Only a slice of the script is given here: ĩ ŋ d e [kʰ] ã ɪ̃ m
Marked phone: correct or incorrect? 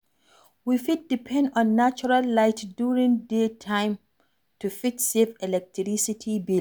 incorrect